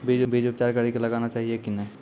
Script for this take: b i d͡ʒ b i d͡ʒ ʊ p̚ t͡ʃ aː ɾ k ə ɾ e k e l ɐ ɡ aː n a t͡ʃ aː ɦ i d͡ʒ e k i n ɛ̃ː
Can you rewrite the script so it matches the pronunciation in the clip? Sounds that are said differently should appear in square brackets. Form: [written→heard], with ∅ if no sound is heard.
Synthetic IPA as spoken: b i d͡ʒ b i d͡ʒ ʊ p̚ t͡ʃ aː ɾ k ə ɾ [e→i] k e l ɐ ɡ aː n a t͡ʃ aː ɦ i [d͡ʒ→∅] e k i n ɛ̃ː